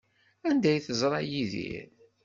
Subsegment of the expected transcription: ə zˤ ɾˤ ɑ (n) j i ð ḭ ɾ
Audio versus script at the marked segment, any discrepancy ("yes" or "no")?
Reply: yes